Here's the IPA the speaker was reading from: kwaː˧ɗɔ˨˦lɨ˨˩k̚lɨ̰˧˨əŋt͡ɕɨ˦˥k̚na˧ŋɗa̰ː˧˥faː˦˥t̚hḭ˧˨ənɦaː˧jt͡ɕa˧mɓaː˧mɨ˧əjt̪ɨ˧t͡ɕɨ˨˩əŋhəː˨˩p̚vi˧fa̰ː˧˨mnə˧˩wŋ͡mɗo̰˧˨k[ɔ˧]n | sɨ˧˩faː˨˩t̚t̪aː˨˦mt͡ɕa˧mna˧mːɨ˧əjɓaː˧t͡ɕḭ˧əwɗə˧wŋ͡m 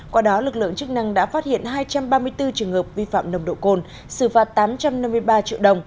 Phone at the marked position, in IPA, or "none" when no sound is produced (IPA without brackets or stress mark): o˧